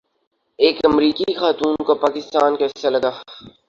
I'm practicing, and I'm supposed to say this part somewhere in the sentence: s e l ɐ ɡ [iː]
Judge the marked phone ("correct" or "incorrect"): incorrect